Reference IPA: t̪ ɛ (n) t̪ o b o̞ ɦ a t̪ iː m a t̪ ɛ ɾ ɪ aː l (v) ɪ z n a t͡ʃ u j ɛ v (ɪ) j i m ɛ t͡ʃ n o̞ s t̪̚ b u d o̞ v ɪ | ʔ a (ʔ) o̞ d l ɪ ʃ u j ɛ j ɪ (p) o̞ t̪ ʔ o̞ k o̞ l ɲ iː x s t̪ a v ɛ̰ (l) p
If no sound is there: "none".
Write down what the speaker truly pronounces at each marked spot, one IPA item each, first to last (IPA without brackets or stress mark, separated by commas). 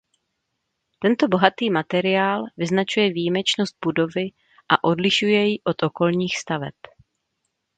n, v, i, ʔ, ʔ, none